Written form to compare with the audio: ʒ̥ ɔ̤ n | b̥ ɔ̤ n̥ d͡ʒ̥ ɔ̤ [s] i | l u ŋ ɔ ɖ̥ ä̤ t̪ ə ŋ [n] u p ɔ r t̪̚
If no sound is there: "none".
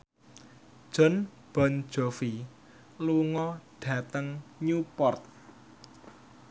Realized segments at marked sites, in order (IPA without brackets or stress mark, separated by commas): f, ɲ